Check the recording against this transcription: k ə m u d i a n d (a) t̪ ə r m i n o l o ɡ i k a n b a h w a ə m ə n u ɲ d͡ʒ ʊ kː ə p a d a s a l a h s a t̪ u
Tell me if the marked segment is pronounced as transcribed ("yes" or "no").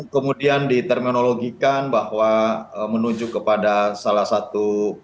no